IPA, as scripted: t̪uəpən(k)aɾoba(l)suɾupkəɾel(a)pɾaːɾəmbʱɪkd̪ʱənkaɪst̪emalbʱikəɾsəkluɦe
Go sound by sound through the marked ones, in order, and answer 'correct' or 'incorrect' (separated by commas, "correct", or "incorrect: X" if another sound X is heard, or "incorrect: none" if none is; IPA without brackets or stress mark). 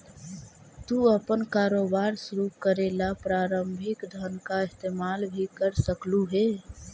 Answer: correct, incorrect: ɾ, correct